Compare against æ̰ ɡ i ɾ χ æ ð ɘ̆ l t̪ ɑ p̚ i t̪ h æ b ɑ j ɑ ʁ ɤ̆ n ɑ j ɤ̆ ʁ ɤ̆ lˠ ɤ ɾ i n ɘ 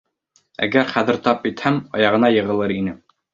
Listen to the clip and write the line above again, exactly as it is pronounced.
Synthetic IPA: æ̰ ɡ æ ɾ χ æ ð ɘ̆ ɾ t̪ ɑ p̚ i t̪ h æ m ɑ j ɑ ʁ ɤ̆ n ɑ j ɤ̆ ʁ ɤ̆ lˠ ɤ ɾ i n ɘ